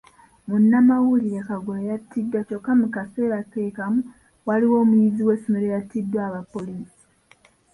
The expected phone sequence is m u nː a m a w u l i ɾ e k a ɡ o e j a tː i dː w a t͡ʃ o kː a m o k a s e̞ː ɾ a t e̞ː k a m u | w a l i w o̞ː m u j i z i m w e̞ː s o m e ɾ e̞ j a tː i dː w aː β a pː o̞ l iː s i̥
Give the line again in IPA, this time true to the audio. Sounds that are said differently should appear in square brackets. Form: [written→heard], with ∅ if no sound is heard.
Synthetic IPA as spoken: m u nː a m a w u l i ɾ e k a ɡ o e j a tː i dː w a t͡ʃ o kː a m [o→u] k a s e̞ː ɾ a t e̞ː k a m u | w a l i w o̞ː m u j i z i [m→∅] w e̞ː s o m e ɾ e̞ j a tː i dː w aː β a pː o̞ l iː s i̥